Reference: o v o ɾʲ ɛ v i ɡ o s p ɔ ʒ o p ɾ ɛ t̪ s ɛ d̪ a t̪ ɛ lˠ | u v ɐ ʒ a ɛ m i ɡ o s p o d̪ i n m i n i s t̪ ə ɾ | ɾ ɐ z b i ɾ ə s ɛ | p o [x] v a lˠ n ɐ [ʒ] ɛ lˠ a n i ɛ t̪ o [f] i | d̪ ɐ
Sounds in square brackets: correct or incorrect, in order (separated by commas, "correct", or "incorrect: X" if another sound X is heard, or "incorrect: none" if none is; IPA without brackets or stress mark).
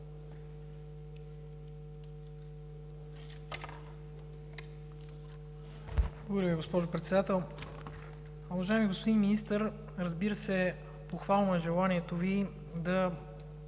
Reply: correct, correct, incorrect: v